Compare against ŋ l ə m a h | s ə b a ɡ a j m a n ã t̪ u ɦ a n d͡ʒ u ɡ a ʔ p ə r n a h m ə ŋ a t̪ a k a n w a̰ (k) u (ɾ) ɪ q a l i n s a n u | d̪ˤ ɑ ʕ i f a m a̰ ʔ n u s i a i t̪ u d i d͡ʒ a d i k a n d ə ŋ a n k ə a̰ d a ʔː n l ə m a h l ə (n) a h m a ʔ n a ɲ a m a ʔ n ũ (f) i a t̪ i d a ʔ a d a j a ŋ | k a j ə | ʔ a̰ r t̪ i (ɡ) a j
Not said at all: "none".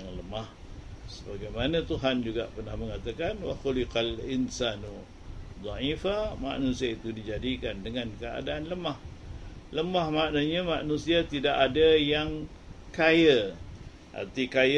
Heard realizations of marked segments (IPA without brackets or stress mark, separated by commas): x, l, m, s, k